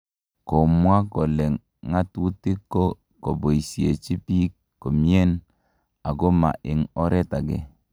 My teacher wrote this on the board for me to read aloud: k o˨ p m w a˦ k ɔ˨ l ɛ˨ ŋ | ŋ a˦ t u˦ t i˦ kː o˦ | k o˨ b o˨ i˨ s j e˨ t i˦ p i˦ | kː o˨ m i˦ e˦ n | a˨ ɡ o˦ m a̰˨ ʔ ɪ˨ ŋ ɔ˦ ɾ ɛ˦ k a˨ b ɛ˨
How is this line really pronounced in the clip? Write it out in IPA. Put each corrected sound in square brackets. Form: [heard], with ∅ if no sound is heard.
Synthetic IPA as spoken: k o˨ [∅] m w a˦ k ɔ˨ l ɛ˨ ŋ | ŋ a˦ t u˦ t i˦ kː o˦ | k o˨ b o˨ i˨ s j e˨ [t͡ʃ] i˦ p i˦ | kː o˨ m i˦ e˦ n | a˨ ɡ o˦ m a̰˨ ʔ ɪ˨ ŋ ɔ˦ ɾ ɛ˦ [t] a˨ [ɡ] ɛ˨

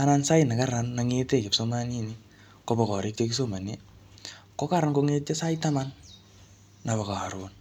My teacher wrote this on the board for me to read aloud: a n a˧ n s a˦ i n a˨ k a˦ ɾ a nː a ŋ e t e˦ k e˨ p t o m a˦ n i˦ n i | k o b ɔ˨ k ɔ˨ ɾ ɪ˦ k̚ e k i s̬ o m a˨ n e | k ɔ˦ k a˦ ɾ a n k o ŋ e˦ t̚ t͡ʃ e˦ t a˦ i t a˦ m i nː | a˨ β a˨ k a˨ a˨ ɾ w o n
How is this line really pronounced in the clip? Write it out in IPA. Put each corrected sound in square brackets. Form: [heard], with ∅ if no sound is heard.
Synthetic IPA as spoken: a n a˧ n s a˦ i n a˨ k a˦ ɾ a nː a ŋ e t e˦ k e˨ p [s] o m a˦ n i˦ n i | k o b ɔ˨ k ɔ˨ ɾ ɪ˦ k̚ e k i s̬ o m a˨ n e | k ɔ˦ k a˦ ɾ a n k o ŋ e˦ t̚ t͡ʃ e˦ [s] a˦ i t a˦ m [a] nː | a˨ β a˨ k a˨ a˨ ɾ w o n

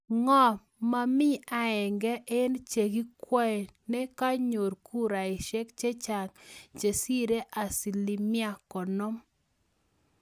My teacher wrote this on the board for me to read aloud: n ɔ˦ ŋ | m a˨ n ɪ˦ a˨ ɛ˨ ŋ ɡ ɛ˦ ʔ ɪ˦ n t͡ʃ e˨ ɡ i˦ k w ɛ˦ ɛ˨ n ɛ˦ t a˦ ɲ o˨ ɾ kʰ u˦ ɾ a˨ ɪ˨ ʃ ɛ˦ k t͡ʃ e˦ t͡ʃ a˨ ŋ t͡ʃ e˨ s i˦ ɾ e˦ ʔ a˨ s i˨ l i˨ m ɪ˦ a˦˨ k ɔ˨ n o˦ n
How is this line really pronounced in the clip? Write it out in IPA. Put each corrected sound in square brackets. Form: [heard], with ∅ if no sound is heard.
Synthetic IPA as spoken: [ŋ] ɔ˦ [∅] | m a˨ [m] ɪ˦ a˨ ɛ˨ ŋ ɡ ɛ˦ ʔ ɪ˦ n t͡ʃ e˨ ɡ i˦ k w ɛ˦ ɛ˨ n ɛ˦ [k] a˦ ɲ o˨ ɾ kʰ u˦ ɾ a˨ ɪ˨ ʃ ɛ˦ k t͡ʃ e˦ t͡ʃ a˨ ŋ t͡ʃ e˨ s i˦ ɾ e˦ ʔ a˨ s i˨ l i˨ m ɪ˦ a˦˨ k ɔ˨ n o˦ [m]

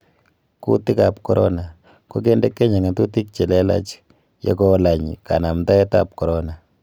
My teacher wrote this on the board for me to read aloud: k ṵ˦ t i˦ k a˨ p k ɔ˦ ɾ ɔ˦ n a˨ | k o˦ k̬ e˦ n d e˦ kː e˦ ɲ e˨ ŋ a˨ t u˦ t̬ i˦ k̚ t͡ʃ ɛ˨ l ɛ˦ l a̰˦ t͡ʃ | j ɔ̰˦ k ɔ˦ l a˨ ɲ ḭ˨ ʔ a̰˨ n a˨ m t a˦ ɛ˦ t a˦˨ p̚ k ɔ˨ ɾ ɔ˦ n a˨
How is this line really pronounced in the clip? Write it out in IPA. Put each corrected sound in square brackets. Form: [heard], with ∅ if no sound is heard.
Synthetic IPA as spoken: k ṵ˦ t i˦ k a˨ p k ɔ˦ ɾ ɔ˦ n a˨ | k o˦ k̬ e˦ n d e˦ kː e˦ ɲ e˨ ŋ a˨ t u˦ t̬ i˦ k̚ t͡ʃ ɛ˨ l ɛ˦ l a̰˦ t͡ʃ | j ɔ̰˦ k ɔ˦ l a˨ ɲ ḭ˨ [k] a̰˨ n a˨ m t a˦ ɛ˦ t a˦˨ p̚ k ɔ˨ ɾ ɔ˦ n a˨

